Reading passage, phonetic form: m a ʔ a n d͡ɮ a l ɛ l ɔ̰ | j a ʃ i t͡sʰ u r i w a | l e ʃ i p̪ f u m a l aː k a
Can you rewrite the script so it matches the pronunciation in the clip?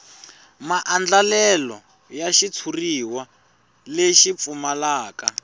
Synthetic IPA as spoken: m a ʔ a n d͡ɮ a l ɛ l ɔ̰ | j a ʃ i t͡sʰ u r i w a | l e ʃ i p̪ f u m a l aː k a